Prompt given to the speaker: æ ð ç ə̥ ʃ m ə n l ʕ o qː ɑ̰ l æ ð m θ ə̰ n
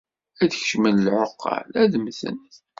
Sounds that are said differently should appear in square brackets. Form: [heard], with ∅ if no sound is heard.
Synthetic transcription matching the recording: æ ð ç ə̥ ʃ m ə n l ʕ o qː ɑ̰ l æ ð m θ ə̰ n